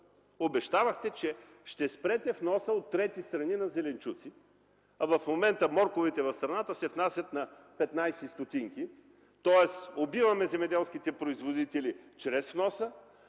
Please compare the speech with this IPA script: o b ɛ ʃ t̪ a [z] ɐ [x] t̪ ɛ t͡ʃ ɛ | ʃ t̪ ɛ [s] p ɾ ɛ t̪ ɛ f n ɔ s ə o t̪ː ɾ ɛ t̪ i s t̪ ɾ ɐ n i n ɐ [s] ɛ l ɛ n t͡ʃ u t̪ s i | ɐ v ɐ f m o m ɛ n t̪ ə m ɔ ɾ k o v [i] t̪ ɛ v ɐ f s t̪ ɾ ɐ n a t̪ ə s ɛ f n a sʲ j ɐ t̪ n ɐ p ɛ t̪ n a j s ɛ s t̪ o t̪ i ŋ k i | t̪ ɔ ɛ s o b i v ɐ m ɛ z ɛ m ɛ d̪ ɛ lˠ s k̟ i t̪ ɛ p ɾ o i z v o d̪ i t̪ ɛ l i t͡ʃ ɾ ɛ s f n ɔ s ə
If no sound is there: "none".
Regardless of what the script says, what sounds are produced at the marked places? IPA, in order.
v, x, s, z, i

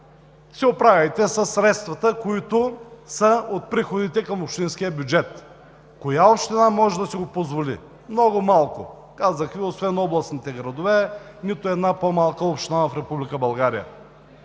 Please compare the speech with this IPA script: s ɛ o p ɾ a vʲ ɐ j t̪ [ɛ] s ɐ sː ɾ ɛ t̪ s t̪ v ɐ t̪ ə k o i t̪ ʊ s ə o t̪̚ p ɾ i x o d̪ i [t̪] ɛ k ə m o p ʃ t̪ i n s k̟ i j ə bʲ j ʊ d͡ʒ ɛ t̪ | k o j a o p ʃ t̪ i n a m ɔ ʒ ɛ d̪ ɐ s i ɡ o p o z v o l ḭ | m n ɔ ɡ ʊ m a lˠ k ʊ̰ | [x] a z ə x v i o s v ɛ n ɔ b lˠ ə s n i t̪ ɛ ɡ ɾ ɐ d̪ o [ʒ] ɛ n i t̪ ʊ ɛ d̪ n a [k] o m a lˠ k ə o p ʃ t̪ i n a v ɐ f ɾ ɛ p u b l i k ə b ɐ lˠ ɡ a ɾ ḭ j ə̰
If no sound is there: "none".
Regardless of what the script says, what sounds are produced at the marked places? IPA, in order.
ɛ, t̪, k, v, p

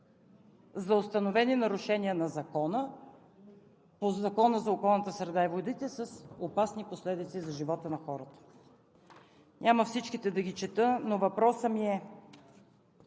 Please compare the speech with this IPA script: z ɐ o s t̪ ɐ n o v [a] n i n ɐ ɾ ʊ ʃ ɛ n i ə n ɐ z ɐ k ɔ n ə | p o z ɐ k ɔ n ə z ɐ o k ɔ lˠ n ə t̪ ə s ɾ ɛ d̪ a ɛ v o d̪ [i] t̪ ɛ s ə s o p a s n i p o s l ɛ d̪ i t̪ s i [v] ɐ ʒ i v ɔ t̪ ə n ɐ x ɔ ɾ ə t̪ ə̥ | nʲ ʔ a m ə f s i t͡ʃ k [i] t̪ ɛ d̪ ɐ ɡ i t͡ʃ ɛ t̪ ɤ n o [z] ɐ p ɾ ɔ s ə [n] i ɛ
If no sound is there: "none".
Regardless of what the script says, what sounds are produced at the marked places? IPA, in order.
ɛ, i, z, i, v, m

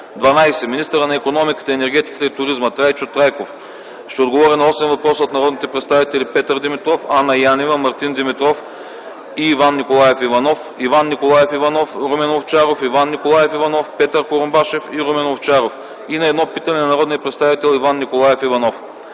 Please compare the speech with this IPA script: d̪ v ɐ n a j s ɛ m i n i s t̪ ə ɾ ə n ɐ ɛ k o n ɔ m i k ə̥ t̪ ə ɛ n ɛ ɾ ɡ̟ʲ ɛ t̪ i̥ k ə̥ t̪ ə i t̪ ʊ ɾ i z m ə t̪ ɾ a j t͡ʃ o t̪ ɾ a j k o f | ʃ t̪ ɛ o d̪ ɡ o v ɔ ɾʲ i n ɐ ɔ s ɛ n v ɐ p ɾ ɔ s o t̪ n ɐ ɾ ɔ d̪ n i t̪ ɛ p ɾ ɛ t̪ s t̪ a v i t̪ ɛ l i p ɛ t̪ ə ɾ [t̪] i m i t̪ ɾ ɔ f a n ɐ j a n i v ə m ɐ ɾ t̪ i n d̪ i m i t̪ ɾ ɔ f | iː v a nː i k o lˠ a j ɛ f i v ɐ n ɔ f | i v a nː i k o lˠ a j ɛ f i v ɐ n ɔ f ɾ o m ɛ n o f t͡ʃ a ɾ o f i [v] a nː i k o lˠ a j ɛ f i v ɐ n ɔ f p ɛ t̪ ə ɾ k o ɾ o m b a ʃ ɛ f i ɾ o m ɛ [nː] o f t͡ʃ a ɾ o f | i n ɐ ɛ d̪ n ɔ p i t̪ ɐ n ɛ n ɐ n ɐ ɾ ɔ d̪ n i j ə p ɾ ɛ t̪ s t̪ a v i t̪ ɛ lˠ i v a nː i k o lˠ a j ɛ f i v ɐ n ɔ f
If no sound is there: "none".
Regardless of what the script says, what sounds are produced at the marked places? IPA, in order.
d̪, v, n

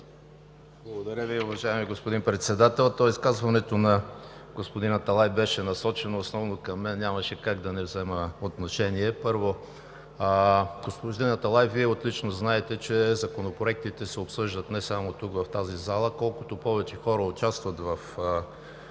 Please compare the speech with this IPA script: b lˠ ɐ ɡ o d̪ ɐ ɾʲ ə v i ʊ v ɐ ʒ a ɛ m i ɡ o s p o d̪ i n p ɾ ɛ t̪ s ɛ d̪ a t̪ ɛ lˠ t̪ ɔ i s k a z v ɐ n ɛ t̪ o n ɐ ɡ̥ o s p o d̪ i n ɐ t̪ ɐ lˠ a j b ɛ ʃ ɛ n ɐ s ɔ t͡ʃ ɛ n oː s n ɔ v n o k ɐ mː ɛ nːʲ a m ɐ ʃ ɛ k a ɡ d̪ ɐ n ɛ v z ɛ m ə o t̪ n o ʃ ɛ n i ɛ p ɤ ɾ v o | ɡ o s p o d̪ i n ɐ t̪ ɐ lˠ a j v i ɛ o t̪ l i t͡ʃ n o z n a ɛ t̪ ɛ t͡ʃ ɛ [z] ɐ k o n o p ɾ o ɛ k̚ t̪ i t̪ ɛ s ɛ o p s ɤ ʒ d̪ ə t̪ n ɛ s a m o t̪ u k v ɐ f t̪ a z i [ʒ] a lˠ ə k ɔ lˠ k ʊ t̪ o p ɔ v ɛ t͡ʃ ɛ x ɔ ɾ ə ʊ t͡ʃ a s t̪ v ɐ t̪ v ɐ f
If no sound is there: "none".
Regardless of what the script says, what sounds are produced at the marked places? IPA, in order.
z, z

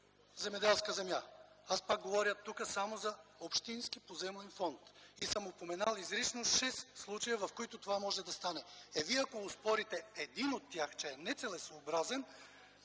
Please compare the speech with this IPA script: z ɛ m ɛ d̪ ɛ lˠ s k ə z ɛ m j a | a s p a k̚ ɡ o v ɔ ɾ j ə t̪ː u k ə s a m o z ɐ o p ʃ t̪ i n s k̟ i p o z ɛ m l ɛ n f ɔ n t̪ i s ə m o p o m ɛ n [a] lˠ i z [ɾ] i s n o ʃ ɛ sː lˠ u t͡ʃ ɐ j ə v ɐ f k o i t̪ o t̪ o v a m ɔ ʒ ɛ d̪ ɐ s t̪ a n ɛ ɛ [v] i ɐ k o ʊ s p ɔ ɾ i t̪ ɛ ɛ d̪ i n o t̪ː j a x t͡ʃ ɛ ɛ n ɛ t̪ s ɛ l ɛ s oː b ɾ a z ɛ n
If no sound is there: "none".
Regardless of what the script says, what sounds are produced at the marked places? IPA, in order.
a, ɾ, v

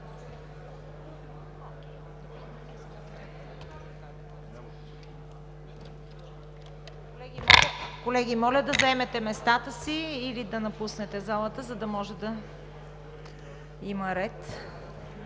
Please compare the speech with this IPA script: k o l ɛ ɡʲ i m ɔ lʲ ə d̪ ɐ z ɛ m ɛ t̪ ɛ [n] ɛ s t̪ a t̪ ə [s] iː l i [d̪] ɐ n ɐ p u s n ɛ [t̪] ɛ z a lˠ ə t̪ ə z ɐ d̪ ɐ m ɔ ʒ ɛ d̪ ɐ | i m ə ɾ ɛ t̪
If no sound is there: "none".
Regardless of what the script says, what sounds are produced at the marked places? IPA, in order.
m, s, d̪, t̪

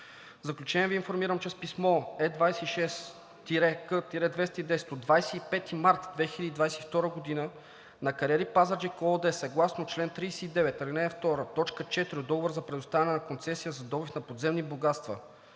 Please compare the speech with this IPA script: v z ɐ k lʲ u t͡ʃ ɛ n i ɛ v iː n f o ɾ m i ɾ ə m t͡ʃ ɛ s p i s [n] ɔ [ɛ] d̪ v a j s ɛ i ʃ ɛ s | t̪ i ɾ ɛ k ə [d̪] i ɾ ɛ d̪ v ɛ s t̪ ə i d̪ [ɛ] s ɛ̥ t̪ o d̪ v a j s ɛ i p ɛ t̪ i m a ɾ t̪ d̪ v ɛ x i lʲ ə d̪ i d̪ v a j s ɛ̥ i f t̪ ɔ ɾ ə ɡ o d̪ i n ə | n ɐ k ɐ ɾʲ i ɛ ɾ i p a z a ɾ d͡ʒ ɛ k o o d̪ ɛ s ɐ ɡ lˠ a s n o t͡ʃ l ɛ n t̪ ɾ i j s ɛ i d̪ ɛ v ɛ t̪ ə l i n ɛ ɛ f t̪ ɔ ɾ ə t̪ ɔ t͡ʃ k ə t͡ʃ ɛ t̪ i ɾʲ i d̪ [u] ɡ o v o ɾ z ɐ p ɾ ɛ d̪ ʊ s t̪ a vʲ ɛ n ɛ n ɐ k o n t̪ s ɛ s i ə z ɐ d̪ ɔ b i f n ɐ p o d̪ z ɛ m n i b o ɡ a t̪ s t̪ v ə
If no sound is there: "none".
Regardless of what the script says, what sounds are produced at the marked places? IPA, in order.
m, ɛ, t̪, ɛ, ɔ

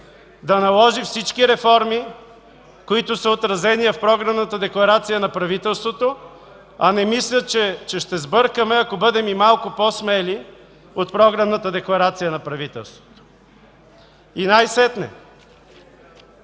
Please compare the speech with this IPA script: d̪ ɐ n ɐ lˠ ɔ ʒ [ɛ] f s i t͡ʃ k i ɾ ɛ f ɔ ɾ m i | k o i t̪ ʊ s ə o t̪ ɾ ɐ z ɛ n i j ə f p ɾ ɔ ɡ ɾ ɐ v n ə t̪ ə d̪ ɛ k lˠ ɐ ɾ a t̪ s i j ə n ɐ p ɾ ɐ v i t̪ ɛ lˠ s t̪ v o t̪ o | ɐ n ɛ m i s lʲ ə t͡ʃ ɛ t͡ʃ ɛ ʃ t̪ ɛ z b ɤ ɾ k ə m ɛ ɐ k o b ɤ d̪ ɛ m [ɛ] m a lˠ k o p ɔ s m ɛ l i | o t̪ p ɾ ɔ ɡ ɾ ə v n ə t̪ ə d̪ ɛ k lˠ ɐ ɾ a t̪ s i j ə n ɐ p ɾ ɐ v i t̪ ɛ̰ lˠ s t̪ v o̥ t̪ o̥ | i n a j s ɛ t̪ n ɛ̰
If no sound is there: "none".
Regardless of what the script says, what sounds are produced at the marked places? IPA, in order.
i, i

